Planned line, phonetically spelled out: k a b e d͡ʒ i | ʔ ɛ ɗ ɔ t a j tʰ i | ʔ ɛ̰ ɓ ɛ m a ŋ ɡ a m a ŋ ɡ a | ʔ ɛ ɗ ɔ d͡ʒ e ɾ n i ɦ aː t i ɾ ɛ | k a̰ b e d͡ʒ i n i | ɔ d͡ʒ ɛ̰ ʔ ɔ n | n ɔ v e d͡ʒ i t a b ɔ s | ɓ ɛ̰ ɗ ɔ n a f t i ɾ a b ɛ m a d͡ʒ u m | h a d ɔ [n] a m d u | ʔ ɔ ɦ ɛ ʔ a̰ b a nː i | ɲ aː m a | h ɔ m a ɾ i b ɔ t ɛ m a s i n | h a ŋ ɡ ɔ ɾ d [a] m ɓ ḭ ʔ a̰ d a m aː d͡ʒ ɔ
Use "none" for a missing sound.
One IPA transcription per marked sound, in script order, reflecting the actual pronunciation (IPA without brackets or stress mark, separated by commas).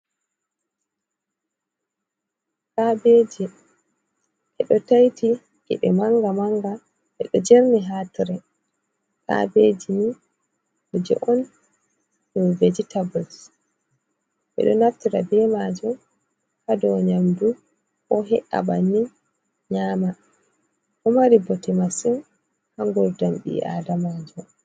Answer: ɲ, a